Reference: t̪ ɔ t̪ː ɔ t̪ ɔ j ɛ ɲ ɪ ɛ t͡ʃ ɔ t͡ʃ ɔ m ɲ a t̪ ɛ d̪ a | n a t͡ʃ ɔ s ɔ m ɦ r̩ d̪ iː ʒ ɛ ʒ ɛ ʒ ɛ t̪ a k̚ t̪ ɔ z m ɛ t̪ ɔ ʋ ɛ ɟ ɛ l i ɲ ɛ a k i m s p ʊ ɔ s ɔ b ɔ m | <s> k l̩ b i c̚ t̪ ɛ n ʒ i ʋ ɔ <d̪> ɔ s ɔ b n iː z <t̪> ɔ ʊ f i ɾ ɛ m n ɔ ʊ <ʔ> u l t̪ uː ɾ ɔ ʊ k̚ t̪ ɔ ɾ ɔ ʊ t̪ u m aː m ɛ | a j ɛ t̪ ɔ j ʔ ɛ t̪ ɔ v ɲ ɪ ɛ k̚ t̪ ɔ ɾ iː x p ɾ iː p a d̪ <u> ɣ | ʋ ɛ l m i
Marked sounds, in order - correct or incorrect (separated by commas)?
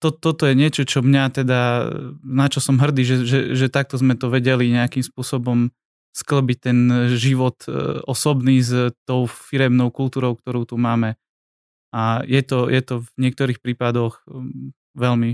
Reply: correct, incorrect, correct, incorrect, incorrect